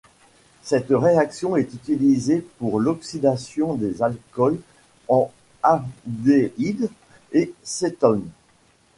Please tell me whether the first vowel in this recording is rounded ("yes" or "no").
no